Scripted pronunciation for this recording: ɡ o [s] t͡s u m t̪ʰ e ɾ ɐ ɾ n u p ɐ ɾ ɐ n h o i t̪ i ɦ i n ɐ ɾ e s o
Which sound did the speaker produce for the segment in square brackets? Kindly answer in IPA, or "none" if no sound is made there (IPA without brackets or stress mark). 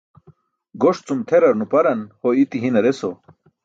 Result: ʂ